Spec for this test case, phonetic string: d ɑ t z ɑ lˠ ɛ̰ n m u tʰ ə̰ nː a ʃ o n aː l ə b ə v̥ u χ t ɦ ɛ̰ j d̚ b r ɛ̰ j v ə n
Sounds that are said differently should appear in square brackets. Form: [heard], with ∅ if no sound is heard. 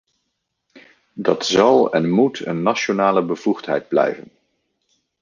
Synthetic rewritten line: d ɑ t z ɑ lˠ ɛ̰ n m u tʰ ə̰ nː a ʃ o n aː l ə b ə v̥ u χ t ɦ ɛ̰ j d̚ b [l] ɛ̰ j v ə n